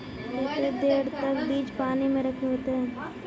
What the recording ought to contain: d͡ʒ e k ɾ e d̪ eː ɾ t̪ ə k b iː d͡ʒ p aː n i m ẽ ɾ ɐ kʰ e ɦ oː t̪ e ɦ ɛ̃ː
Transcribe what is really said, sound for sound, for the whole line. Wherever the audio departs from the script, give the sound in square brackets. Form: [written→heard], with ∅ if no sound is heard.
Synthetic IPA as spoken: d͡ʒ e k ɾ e d̪ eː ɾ t̪ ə k b iː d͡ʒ p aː n i m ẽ ɾ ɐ kʰ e ɦ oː t̪ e ɦ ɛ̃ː